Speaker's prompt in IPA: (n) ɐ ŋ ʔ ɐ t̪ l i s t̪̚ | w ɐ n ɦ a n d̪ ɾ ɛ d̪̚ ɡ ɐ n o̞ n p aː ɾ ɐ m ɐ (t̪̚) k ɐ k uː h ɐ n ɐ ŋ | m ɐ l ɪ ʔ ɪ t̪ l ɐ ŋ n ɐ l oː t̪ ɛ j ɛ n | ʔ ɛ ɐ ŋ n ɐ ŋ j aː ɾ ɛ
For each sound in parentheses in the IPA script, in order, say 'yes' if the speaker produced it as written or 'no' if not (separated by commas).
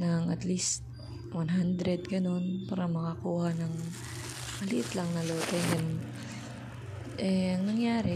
yes, no